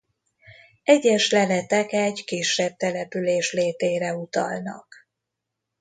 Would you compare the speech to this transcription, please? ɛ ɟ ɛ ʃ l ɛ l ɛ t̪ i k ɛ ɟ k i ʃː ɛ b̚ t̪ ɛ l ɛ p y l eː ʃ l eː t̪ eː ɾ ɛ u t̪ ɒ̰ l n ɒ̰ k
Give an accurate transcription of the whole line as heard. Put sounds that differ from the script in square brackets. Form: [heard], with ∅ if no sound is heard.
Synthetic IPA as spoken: ɛ ɟ ɛ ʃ l ɛ l ɛ t̪ [ɛ] k ɛ ɟ k i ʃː ɛ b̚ t̪ ɛ l ɛ p y l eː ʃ l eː t̪ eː ɾ ɛ u t̪ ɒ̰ l n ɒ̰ k